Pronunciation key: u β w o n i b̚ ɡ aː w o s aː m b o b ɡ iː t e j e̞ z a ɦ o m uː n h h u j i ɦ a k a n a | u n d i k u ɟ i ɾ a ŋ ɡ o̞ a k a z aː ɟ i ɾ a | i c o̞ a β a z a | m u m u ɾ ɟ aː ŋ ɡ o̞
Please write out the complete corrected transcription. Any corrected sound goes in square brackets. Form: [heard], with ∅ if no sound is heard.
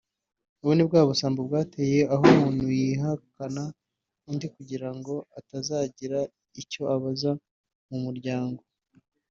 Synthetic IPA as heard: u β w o n i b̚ ɡ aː [β] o s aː m b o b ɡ [aː] t e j e̞ [∅] a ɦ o m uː n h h u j i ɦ a k a n a | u n d i k u ɟ i ɾ a ŋ ɡ o̞ a [t] a z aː ɟ i ɾ a | i c o̞ a β a z a | m u m u ɾ ɟ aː ŋ ɡ o̞